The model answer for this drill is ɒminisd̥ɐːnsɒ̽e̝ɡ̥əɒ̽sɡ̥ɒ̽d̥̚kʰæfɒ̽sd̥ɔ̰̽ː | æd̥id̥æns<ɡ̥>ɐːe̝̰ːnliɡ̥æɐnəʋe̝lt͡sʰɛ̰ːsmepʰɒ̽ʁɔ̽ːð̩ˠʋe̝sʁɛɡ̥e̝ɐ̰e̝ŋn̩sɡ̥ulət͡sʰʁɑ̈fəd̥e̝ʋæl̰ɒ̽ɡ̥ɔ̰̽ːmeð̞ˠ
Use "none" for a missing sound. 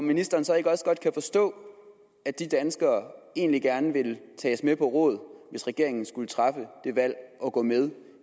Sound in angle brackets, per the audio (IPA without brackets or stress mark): ɡ̥